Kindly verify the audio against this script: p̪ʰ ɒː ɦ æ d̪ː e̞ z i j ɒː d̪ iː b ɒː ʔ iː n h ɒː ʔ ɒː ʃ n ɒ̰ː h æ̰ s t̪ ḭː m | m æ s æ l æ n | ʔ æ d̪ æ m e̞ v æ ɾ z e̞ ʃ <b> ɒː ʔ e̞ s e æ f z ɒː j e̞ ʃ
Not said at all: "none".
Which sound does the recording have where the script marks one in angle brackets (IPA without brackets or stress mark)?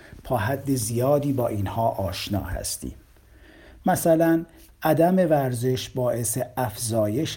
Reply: b